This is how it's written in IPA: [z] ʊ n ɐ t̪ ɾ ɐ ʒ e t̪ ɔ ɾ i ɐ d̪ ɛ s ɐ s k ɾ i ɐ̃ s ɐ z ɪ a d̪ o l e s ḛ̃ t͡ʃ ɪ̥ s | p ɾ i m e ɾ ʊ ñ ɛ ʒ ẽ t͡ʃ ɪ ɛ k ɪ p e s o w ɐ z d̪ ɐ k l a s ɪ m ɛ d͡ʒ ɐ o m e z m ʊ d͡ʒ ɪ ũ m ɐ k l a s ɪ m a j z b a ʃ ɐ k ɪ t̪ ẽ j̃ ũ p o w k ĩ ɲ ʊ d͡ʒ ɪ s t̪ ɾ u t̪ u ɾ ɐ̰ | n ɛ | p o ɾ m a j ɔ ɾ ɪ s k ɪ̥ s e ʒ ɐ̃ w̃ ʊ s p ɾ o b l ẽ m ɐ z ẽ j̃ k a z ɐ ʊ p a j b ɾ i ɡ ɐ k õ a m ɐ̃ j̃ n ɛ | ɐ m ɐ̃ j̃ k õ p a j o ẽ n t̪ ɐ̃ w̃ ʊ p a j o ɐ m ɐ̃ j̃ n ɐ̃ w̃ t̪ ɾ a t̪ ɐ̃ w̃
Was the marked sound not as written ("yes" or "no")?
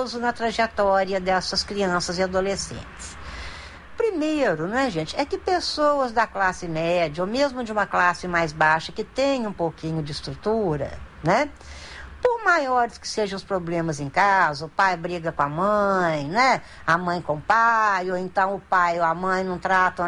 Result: no